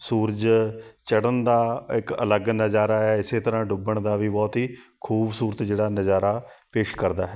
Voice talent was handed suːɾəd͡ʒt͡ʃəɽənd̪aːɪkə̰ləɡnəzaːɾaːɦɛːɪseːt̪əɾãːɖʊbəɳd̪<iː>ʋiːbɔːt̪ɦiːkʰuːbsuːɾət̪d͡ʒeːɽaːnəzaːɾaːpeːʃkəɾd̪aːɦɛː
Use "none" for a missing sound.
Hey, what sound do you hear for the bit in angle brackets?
aː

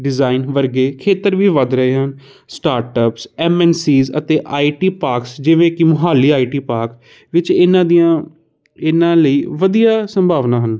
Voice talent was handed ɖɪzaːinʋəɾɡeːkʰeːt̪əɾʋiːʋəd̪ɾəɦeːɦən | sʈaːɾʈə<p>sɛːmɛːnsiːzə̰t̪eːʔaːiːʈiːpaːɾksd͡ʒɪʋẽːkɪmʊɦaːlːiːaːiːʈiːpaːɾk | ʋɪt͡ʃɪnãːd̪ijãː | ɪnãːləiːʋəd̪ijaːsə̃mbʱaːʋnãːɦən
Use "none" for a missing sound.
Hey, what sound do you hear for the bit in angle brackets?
p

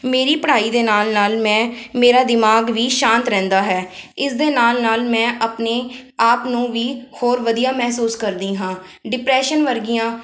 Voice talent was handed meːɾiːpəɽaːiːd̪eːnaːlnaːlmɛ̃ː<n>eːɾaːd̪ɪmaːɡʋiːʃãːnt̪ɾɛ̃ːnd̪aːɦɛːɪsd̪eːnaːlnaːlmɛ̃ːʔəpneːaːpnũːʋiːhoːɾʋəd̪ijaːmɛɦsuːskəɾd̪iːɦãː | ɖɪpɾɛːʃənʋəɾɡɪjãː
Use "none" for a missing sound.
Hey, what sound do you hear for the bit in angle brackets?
m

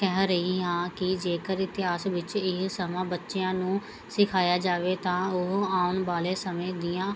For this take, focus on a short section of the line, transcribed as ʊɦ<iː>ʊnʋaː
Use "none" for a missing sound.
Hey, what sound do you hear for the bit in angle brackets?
aː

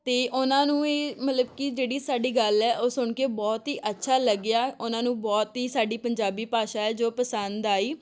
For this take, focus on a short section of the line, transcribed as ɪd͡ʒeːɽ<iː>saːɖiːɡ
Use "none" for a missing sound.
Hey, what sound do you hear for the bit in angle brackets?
iː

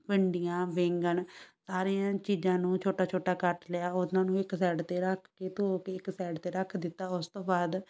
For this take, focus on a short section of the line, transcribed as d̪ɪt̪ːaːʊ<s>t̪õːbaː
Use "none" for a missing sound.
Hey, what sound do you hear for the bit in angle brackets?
s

